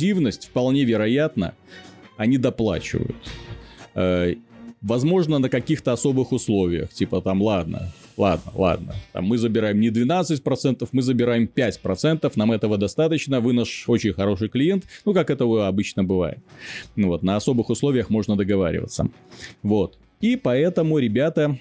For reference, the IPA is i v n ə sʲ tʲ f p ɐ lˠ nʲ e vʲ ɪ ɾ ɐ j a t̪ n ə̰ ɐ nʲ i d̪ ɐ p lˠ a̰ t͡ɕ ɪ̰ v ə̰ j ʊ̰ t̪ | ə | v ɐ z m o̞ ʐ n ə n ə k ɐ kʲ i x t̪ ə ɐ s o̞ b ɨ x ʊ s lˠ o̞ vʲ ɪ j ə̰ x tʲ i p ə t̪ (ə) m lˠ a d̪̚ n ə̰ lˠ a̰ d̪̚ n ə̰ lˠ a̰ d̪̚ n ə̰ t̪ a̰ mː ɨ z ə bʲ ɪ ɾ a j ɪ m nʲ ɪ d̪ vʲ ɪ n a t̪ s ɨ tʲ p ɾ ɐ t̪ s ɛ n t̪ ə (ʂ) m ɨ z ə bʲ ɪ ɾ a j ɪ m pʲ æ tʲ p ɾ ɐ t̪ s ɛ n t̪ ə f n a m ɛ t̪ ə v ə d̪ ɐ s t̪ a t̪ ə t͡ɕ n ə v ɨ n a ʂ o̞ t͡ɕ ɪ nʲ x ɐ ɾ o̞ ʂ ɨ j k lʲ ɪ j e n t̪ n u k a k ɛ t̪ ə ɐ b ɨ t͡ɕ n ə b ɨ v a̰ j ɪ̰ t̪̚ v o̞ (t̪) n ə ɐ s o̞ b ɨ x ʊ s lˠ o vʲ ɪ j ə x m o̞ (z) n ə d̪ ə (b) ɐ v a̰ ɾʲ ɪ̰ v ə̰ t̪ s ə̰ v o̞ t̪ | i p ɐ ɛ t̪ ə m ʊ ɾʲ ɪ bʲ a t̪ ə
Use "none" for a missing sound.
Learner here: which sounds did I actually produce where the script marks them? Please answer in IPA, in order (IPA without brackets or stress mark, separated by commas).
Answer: a, f, t̪, ʐ, ɡ